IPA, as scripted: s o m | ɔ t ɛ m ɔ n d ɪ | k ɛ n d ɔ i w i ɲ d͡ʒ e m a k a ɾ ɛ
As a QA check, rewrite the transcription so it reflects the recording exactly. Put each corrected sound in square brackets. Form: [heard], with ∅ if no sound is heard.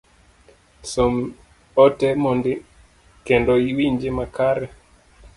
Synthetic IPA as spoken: s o m | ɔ t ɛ m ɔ n d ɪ | k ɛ n d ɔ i w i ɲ d͡ʒ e m a k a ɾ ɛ

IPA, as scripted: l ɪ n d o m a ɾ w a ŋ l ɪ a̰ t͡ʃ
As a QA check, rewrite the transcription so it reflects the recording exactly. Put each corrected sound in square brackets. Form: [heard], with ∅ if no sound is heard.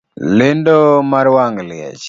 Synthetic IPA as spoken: l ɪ n d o m a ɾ w a ŋ l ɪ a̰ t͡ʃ

